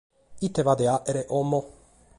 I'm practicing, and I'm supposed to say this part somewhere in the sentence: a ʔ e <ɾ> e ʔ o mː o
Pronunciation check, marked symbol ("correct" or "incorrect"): correct